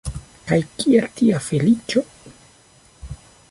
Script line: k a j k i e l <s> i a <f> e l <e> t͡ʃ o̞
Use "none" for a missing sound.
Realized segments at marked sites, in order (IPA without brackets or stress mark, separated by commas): t, f, i